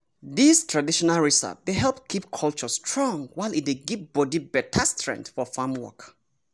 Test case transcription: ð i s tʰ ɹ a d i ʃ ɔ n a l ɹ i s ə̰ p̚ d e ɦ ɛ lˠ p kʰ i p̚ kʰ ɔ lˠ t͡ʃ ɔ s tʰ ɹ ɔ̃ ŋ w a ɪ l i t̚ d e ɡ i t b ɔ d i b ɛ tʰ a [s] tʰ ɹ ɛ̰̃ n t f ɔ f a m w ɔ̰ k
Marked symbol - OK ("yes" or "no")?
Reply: yes